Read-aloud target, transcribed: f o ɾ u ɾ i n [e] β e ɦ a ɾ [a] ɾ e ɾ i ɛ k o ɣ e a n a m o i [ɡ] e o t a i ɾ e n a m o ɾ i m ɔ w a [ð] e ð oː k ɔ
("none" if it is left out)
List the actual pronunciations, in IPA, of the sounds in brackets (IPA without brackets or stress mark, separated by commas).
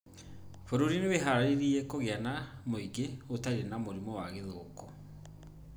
e, a, ɡ, ɣ